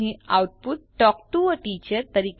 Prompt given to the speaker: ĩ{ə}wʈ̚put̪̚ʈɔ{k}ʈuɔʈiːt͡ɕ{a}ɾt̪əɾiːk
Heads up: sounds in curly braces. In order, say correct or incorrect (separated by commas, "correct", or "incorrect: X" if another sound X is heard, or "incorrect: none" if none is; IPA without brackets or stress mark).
incorrect: a, correct, incorrect: ə